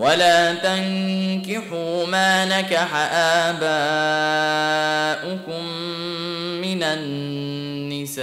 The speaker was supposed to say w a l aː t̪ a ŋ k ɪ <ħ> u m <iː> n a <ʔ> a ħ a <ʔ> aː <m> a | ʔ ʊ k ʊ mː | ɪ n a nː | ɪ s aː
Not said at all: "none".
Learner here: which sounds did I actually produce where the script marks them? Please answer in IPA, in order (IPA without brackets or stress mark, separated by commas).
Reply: ħ, aː, k, ʔ, b